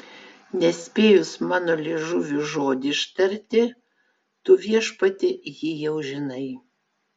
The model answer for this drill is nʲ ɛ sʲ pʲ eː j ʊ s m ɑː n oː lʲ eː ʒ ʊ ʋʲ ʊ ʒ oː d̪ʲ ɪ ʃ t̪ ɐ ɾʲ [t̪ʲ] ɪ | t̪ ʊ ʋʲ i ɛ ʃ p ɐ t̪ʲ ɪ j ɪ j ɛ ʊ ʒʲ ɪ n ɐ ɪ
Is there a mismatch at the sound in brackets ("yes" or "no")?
no